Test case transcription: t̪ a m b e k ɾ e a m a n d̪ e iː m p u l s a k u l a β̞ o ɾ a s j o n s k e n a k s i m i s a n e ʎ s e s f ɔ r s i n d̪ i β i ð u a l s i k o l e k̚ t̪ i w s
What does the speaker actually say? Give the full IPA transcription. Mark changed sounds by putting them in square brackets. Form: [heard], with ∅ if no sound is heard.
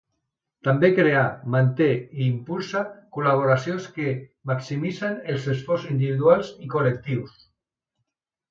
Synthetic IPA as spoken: t̪ a m b e k ɾ e a m a n [t̪] e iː m p u l s a k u l a β̞ o ɾ a s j o n s k e [m] a k s i m i s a n e [l] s e s f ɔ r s i n d̪ i β i ð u a l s i k o l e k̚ t̪ i w s